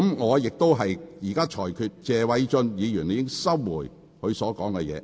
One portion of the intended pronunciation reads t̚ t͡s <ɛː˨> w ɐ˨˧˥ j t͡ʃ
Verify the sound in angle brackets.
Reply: correct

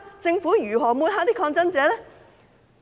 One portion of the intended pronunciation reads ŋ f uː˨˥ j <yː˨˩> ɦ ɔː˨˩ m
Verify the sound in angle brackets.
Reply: correct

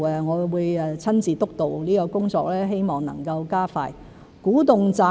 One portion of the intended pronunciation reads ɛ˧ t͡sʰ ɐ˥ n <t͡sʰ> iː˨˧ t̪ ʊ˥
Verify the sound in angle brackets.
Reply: incorrect: t͡s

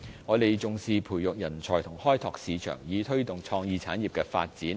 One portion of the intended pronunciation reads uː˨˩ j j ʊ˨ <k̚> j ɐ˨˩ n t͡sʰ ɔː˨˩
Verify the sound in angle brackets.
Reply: correct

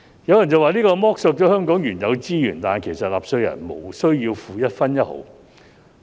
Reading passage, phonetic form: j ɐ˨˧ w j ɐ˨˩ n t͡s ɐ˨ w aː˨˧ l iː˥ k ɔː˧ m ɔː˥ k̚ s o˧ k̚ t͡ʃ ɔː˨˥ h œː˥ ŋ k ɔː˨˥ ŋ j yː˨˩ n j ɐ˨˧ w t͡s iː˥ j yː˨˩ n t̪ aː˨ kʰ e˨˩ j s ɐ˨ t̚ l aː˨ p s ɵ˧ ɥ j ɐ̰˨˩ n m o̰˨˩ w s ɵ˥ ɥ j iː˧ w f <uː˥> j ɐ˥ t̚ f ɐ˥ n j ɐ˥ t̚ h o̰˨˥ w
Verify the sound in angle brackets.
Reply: incorrect: uː˨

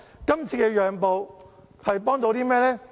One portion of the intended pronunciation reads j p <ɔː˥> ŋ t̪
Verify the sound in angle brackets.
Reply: correct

